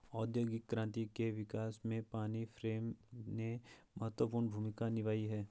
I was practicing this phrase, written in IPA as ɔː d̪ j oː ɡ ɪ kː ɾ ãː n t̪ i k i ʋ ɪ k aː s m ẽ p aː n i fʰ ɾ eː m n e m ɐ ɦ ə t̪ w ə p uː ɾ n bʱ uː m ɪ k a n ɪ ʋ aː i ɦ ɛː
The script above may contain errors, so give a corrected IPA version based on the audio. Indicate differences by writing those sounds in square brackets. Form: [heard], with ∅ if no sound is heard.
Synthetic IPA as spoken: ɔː d̪ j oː ɡ ɪ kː ɾ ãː n t̪ i k [e] ʋ ɪ k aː s m ẽ p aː n i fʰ ɾ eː m n e m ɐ ɦ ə t̪ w ə p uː ɾ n bʱ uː m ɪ k a n ɪ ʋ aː i ɦ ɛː